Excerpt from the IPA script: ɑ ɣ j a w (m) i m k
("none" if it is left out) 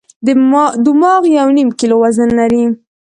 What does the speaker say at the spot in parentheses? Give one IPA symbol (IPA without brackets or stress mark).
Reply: n